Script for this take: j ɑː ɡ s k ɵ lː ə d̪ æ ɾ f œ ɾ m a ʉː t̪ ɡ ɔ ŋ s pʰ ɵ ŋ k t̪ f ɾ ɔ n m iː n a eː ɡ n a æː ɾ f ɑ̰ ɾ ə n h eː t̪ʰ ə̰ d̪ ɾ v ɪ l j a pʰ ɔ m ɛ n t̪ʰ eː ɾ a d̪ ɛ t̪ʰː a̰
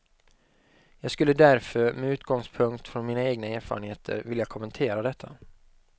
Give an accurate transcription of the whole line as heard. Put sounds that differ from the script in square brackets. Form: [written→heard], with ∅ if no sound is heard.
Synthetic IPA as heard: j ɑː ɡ s k ɵ lː ə d̪ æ ɾ f œ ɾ m [a→ɛ] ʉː t̪ ɡ ɔ ŋ s pʰ ɵ ŋ k t̪ f ɾ ɔ n m iː n a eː ɡ n a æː ɾ f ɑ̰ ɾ ə n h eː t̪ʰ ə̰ [d̪→∅] ɾ v ɪ l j a [pʰ→kʰ] ɔ m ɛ n t̪ʰ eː ɾ a d̪ ɛ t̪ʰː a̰

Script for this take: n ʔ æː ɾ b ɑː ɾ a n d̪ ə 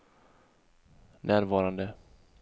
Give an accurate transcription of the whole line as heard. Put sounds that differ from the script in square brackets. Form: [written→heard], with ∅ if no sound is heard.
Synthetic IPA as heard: n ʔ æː ɾ [b→v] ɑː ɾ a n d̪ ə

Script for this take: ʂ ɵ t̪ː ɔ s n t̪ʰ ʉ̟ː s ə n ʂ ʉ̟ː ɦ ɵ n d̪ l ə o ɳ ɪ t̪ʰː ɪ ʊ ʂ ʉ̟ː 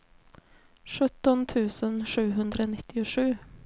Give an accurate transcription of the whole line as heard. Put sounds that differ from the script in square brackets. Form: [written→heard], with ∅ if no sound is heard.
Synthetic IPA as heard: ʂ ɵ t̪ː ɔ [s→∅] n t̪ʰ ʉ̟ː s ə n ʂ ʉ̟ː ɦ ɵ n d̪ [l→ɾ] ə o [ɳ→n] ɪ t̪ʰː ɪ ʊ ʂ ʉ̟ː

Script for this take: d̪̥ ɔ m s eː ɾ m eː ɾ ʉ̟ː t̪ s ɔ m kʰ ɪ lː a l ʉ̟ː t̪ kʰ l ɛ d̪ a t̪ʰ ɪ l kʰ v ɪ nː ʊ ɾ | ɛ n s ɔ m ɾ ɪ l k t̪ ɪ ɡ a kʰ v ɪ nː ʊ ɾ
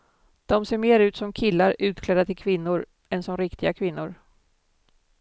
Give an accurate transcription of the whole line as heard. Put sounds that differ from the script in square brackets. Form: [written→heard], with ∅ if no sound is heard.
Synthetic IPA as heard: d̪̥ ɔ m s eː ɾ m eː ɾ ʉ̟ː t̪ s ɔ m kʰ ɪ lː a [l→ɾ] ʉ̟ː t̪ kʰ l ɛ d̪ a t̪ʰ ɪ l kʰ v ɪ nː ʊ ɾ | ɛ n s ɔ m ɾ ɪ [l→∅] k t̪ ɪ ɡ a kʰ v ɪ nː ʊ ɾ

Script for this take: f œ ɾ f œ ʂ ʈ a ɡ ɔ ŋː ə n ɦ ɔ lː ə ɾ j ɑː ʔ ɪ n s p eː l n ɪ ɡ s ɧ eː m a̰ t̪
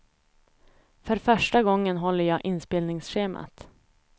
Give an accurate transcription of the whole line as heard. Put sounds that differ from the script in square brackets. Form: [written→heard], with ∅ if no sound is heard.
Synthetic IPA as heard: f œ ɾ f œ ʂ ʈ a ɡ ɔ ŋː ə n ɦ ɔ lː ə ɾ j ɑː ʔ ɪ n s p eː l n ɪ [ɡ→ŋ] s ɧ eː m a̰ t̪

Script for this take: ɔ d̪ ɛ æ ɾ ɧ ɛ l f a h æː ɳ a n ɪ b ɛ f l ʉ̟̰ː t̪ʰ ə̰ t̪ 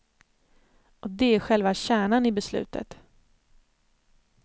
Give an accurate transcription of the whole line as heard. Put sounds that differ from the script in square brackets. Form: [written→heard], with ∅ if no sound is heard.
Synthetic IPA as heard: ɔ d̪ ɛ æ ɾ ɧ ɛ l [f→v] a [h→ɕ] æː ɳ a n ɪ b ɛ [f→s] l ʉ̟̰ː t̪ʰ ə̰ t̪

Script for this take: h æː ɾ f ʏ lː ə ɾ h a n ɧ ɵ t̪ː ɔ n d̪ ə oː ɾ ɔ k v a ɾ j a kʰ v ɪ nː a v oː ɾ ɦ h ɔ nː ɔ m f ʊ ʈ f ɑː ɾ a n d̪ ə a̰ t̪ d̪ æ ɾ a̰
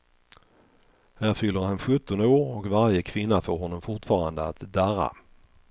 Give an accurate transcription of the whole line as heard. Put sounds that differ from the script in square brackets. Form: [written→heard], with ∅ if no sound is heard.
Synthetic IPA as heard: h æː ɾ f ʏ lː ə ɾ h a n ɧ ɵ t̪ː ɔ n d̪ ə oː ɾ ɔ k v a ɾ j [a→ə] kʰ v ɪ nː a [v→f] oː ɾ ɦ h ɔ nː ɔ m f ʊ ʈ f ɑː ɾ a n d̪ ə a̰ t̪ d̪ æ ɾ a̰

